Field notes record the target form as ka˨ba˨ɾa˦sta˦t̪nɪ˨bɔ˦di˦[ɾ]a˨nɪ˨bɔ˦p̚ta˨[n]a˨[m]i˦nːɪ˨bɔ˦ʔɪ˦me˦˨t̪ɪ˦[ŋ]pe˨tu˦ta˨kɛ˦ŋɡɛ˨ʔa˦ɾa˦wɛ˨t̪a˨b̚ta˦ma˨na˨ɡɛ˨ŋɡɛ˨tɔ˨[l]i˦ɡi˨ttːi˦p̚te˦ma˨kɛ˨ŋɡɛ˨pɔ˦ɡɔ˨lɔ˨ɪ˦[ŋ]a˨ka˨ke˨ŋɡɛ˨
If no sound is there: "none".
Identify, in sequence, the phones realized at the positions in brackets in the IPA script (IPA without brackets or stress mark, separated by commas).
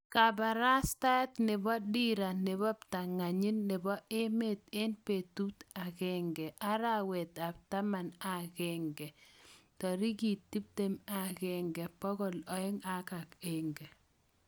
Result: ɾ, ŋ, ɲ, n, ɾ, ŋ